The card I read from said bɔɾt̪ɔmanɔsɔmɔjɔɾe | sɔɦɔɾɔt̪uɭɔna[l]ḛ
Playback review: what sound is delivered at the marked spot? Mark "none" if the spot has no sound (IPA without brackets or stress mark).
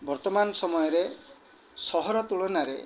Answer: ɾ